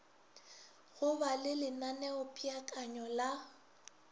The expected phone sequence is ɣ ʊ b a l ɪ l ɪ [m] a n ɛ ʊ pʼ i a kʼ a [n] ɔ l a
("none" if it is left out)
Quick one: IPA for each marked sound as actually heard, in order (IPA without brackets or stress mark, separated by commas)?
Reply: n, ɲ